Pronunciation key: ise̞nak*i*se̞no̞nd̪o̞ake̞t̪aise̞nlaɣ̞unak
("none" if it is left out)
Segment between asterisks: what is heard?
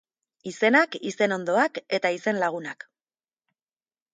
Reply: i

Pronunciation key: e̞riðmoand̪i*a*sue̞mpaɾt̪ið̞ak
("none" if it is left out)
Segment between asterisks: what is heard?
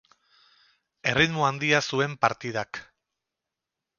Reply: a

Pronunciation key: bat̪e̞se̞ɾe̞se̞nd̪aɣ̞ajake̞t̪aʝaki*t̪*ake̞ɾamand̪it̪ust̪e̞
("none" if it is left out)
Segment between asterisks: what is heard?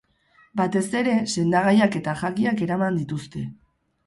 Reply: none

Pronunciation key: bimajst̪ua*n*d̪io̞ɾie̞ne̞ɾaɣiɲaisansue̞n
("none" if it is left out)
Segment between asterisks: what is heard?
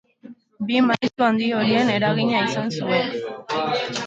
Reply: n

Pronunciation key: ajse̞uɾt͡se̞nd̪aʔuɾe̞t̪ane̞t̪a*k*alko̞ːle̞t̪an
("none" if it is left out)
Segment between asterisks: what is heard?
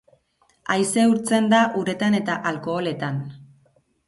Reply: ʔ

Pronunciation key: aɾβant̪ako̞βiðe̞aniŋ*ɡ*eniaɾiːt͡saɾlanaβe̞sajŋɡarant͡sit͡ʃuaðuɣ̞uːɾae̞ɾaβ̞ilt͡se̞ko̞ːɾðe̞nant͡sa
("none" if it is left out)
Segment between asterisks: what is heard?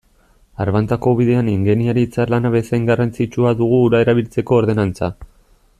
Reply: ɡ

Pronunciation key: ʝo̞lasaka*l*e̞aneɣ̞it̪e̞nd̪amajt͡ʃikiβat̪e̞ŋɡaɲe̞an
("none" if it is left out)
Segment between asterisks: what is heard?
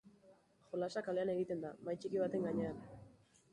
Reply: l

